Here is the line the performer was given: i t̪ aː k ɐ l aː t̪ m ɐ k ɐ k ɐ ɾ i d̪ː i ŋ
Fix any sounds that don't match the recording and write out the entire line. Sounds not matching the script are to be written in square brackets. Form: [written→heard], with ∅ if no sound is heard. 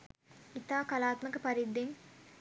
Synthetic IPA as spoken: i t̪ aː k ɐ l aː t̪ m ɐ k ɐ [k→p] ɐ ɾ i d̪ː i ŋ